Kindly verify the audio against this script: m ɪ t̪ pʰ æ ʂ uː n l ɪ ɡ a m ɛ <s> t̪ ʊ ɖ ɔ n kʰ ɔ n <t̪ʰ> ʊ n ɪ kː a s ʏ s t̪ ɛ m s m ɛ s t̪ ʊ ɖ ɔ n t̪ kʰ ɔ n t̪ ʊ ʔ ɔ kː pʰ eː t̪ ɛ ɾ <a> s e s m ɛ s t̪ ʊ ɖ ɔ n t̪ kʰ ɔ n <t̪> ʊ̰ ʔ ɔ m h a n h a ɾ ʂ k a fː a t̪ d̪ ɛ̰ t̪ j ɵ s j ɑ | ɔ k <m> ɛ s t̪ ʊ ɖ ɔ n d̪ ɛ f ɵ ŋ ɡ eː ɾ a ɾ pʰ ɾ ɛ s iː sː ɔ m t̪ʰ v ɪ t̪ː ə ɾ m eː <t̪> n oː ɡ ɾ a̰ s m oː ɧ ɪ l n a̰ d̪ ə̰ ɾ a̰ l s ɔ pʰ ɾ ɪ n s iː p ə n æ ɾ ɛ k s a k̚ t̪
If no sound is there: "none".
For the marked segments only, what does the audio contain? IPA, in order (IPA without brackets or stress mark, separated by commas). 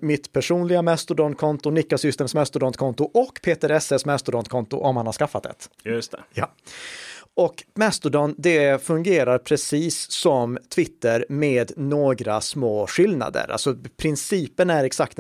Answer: s, t̪, ɛ, t̪, m, d̪